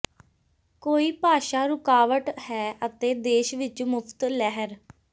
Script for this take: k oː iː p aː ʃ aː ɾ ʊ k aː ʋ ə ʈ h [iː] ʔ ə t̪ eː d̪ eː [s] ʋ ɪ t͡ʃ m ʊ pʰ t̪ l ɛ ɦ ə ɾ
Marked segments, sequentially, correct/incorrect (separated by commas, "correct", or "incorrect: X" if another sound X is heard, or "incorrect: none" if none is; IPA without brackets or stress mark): incorrect: ɛː, incorrect: ʃ